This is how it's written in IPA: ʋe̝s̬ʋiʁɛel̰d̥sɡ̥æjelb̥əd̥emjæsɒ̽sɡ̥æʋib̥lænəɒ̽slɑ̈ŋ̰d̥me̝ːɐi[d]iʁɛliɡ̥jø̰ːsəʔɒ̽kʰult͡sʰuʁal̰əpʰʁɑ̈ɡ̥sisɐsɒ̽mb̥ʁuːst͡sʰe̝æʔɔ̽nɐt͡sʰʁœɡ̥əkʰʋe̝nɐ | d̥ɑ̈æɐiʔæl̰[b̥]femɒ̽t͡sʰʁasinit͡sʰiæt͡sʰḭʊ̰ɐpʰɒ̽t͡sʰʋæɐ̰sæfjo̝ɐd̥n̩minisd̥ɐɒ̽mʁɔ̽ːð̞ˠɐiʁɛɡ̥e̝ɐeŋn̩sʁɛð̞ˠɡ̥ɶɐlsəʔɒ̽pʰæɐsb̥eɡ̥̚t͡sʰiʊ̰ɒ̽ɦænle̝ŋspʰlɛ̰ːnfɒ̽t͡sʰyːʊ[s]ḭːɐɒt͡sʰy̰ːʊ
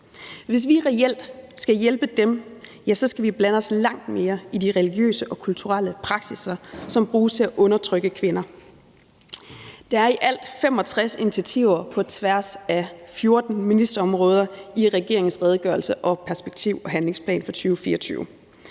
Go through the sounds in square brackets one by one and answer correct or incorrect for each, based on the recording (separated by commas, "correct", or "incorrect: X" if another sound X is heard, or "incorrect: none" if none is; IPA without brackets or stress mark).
correct, incorrect: d̥, incorrect: f